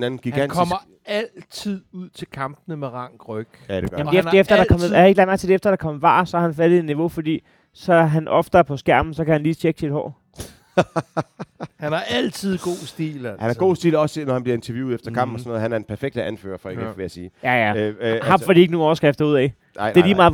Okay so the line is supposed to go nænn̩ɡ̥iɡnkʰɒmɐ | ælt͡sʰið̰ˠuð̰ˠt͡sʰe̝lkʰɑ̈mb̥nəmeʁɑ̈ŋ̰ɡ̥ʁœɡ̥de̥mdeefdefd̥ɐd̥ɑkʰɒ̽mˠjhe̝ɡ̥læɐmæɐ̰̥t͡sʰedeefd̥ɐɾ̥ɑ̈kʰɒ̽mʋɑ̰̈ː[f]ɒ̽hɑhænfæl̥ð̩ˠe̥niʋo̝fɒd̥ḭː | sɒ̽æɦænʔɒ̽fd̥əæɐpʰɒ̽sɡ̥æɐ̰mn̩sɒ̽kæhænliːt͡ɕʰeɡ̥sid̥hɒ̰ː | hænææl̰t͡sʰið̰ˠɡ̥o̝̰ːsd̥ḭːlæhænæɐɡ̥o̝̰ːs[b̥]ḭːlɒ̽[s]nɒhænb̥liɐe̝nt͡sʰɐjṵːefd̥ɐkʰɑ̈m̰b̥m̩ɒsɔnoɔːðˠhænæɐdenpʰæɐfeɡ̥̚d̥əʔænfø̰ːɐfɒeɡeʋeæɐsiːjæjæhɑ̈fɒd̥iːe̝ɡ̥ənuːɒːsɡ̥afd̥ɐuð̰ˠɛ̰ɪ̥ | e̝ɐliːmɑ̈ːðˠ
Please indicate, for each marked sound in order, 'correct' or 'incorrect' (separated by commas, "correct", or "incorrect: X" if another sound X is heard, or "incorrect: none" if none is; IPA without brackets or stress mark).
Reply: incorrect: s, incorrect: d̥, correct